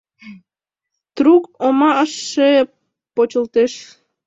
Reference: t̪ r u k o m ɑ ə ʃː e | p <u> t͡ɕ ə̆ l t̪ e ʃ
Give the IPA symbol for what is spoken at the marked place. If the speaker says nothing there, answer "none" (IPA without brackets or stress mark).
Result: o